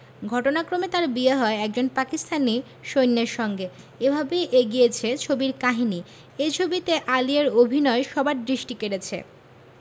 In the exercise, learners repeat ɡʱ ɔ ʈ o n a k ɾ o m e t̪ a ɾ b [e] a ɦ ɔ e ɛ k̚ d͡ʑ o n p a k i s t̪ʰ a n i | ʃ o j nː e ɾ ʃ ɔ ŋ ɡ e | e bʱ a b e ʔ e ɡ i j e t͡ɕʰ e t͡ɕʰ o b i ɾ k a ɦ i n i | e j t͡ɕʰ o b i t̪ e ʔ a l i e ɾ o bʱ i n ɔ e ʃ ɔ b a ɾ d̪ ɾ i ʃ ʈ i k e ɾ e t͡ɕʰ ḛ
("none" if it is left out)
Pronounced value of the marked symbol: i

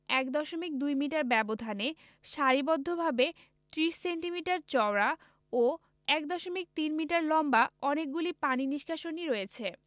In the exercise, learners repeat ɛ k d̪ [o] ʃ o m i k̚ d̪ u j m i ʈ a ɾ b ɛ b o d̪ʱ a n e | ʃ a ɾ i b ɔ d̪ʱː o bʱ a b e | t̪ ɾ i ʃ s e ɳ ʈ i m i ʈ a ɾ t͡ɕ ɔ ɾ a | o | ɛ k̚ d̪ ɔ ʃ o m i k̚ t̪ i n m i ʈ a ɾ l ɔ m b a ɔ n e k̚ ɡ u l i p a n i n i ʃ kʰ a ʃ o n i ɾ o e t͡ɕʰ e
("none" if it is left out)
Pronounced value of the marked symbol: ɔ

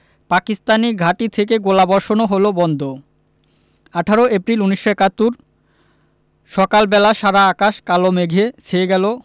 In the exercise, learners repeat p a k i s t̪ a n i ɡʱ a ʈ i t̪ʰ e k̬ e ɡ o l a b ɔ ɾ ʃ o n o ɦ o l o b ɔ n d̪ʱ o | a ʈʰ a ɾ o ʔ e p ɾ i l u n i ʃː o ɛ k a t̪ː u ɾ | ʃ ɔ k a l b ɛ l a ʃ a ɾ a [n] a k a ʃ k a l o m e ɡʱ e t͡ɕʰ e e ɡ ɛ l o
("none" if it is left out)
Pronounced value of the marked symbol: none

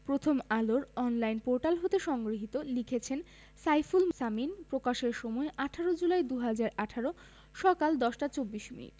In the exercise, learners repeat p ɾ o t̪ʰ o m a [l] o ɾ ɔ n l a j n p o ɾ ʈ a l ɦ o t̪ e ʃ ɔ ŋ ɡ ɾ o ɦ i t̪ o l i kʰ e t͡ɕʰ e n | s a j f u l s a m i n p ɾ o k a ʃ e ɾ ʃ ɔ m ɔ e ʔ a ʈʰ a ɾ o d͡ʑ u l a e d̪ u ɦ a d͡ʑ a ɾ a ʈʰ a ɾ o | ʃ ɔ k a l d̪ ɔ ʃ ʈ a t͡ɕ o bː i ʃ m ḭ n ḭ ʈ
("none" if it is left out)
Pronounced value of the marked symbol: l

